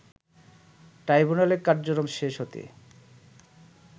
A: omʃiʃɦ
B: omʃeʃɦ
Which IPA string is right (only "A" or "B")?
B